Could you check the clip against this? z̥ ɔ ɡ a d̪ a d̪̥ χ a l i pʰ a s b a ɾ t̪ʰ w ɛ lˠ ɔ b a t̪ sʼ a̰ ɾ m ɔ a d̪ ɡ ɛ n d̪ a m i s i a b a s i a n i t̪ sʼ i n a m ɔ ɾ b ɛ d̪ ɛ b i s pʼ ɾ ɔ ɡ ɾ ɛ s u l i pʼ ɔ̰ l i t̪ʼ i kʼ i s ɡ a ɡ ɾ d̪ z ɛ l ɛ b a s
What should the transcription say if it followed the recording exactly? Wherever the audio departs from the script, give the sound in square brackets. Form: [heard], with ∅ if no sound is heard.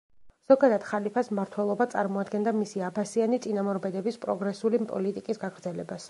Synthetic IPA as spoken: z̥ ɔ ɡ a d̪ a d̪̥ χ a l i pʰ a s [m] a ɾ t̪ʰ w ɛ lˠ ɔ b a t̪ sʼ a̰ ɾ m ɔ a d̪ ɡ ɛ n d̪ a m i s i a b a s i a n i t̪ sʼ i n a m ɔ ɾ b ɛ d̪ ɛ b i s pʼ ɾ ɔ ɡ ɾ ɛ s u l i pʼ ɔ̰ l i t̪ʼ i kʼ i s ɡ a ɡ ɾ d̪ z ɛ l ɛ b a s